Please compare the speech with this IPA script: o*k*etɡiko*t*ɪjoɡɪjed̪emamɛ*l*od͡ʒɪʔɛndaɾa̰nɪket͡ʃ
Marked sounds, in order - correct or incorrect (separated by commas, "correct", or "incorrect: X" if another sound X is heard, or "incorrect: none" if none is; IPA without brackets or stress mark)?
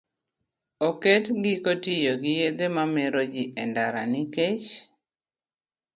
correct, correct, incorrect: ɾ